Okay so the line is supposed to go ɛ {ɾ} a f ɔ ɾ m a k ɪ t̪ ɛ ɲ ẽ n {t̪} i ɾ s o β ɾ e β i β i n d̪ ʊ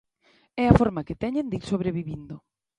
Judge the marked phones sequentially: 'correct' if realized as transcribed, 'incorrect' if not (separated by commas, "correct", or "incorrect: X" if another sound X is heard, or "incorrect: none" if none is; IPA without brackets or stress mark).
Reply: incorrect: none, incorrect: d̪